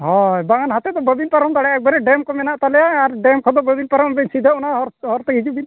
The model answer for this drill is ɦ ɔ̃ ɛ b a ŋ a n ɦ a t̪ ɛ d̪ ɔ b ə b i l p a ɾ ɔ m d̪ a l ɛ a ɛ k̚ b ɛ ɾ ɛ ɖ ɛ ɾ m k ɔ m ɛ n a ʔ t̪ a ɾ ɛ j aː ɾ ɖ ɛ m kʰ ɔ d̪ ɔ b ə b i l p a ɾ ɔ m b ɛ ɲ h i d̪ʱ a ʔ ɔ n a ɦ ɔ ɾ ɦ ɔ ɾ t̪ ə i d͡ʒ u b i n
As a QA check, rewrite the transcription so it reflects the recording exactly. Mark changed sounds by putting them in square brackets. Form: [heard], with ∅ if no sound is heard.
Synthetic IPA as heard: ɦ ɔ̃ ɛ b a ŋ a n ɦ a t̪ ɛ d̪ ɔ b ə b i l p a ɾ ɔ m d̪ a [ɽ] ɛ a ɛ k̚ b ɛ ɾ ɛ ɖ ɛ [∅] m k ɔ m ɛ n a ʔ t̪ a [l] ɛ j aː ɾ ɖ ɛ m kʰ ɔ d̪ ɔ b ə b i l p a ɾ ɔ m b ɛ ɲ [s] i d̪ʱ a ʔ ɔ n a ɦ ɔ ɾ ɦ ɔ ɾ t̪ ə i d͡ʒ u b i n